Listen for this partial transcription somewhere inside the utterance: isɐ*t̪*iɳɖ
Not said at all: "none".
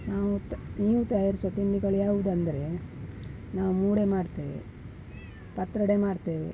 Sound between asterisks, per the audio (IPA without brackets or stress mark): t̪